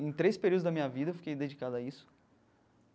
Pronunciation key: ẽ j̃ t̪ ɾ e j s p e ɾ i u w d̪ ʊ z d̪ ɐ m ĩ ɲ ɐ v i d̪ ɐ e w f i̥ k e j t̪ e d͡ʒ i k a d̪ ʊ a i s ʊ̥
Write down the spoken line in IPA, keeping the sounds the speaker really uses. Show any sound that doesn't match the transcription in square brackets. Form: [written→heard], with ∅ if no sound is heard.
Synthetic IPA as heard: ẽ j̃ t̪ ɾ e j s p e ɾ i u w d̪ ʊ z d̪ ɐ m ĩ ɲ ɐ v i d̪ ɐ e w f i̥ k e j [t̪→d̪] e d͡ʒ i k a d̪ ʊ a i s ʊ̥

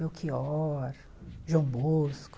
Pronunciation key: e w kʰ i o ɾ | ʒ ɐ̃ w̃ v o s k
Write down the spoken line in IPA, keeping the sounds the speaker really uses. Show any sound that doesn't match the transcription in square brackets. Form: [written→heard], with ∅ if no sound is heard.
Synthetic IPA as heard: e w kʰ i [o→ɔ] ɾ | ʒ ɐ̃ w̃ [v→b] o s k

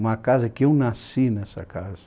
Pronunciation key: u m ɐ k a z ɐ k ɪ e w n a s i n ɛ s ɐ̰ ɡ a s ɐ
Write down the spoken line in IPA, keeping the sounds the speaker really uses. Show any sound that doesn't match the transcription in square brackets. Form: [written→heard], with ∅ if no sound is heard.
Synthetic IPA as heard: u m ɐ k a z ɐ k ɪ e w n a s i n ɛ s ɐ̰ [ɡ→k] a [s→z] ɐ

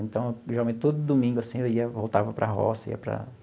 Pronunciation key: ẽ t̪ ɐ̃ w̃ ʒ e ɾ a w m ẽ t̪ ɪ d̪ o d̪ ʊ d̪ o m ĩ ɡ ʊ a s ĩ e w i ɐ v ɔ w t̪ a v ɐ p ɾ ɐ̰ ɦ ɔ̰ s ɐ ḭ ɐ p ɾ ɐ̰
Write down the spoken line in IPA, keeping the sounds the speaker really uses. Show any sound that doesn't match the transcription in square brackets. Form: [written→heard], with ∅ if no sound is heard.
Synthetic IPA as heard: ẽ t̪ ɐ̃ w̃ ʒ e ɾ a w m ẽ t̪ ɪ [d̪→t̪] o d̪ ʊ d̪ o m ĩ ɡ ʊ a s ĩ e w i ɐ v [ɔ→o] w t̪ a v ɐ p ɾ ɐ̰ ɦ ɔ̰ s ɐ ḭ ɐ p ɾ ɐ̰

